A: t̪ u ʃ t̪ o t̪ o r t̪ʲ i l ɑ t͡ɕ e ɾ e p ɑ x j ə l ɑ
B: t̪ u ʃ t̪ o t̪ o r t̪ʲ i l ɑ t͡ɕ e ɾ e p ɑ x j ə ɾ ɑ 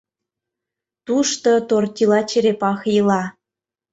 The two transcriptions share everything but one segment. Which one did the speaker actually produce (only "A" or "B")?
A